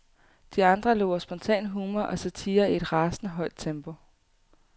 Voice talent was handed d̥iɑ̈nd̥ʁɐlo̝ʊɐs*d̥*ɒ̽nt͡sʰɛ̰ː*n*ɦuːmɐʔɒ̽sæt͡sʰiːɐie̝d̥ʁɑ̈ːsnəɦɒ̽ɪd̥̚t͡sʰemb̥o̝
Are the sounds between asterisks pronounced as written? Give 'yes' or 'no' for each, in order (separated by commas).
no, yes